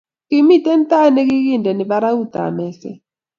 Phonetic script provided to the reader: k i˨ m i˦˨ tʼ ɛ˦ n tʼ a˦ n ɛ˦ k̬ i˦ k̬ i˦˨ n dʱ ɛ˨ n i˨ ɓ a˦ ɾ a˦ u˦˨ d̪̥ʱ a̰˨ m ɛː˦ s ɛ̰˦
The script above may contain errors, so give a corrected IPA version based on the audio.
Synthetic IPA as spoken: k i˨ m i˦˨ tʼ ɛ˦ n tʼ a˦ n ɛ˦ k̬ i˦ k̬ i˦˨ n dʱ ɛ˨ n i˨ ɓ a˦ ɾ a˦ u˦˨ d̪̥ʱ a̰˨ m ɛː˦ s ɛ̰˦